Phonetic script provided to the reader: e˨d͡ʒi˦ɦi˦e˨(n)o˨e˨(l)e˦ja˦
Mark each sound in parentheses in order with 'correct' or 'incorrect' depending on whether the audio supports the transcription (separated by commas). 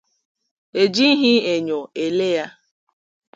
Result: incorrect, correct